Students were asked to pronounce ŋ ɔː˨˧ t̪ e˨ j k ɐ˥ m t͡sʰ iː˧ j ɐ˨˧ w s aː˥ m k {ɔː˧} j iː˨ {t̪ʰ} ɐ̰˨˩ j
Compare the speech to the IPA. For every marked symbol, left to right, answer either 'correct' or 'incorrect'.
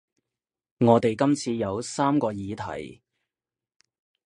correct, correct

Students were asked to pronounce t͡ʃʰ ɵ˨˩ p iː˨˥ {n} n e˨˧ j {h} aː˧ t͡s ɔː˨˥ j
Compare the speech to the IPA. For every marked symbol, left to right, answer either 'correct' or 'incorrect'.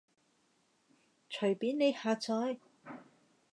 correct, correct

